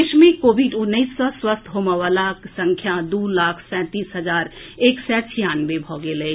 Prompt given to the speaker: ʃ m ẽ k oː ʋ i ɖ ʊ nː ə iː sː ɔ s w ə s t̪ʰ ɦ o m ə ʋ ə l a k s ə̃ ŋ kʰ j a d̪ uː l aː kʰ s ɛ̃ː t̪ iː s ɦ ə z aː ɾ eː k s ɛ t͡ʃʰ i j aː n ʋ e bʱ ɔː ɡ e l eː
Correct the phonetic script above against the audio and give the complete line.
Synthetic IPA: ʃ m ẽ k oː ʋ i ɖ ʊ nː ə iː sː ɔ s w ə s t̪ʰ ɦ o m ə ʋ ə l a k s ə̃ ŋ kʰ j a d̪ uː l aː kʰ s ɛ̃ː t̪ iː s ɦ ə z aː ɾ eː k s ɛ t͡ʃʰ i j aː n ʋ e bʱ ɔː ɡ e l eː